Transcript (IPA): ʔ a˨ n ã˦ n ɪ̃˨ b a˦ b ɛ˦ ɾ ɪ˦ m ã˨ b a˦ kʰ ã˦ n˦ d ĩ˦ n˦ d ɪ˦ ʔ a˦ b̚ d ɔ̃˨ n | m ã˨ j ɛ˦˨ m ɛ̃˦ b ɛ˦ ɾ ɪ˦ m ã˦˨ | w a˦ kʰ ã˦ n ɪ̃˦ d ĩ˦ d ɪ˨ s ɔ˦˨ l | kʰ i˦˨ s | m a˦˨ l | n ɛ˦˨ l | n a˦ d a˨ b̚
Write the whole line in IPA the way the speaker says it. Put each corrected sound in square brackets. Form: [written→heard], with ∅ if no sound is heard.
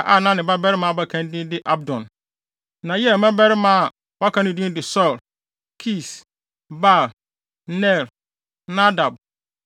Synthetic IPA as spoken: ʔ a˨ n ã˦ n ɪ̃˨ b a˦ b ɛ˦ ɾ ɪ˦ m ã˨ b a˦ kʰ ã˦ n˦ d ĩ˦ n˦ d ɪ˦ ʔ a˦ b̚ d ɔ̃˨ n | [m→n] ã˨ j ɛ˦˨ m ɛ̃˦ b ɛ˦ ɾ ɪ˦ m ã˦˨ | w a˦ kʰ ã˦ n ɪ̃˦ d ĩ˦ d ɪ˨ s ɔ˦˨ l | kʰ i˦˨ s | [m→b] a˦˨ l | n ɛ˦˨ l | n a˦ d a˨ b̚

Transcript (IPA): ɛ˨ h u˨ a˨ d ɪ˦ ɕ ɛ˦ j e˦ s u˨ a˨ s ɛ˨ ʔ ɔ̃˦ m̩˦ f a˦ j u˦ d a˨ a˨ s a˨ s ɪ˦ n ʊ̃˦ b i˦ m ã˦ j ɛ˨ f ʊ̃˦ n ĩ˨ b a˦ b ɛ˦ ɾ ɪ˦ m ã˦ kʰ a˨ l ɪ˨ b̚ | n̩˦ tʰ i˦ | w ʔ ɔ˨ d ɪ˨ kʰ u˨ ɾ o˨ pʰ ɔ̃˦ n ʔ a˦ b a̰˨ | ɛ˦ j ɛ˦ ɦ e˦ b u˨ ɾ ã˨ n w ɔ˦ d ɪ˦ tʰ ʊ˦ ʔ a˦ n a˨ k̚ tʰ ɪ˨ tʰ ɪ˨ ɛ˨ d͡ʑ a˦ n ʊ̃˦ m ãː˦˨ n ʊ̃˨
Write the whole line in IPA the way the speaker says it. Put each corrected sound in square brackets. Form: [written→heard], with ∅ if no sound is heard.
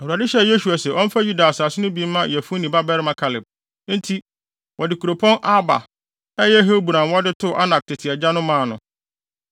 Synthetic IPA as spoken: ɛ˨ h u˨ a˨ d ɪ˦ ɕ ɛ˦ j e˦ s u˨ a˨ s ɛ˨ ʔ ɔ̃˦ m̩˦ f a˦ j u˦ d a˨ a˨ s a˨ s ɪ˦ n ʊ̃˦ b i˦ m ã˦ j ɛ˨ f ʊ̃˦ n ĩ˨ b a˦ b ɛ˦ ɾ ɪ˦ m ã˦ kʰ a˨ l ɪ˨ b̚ | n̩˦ tʰ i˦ | w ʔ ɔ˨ d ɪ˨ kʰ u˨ ɾ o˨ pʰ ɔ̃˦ n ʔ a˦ b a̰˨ | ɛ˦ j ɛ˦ ɦ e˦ b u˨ ɾ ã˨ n w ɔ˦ d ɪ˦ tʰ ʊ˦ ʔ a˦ n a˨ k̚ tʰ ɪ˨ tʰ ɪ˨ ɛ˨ d͡ʑ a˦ n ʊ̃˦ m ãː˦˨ n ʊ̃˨

